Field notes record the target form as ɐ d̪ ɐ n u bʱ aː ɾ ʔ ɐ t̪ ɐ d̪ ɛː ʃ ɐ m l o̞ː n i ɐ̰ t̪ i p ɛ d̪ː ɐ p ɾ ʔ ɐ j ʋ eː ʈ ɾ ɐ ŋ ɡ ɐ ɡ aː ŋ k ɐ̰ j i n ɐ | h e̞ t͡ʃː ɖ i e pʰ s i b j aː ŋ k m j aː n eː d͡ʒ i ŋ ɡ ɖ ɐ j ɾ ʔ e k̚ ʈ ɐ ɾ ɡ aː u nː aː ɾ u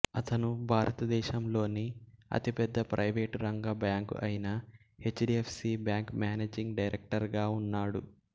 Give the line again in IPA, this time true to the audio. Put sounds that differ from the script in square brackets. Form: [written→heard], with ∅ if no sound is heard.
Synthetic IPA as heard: ɐ [d̪→t̪] ɐ n u bʱ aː ɾ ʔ ɐ t̪ ɐ d̪ ɛː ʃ ɐ m l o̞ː n i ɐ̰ t̪ i p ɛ d̪ː ɐ p ɾ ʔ ɐ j ʋ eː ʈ ɾ ɐ ŋ ɡ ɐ [ɡ→b] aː ŋ k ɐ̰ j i n ɐ | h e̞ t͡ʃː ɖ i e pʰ s i b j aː ŋ k m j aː n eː d͡ʒ i ŋ ɡ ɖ ɐ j ɾ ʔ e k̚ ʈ ɐ ɾ ɡ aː u nː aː [ɾ→ɽ] u